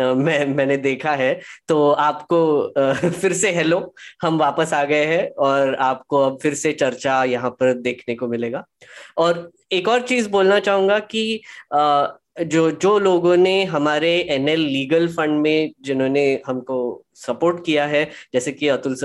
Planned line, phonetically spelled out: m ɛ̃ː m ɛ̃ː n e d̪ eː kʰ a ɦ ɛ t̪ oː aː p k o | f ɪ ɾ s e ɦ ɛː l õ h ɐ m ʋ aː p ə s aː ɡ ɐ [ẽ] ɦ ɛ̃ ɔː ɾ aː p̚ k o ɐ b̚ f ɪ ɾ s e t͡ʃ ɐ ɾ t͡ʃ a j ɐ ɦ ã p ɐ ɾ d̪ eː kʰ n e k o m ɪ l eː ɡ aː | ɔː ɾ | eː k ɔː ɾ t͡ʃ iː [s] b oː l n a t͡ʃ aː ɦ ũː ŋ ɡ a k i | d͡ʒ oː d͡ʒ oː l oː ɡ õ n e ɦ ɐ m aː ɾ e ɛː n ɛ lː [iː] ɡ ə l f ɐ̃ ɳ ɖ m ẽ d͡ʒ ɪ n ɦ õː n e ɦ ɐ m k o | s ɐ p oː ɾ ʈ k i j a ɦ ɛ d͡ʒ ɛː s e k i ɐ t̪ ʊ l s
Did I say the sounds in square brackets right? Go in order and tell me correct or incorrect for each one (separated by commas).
incorrect, incorrect, correct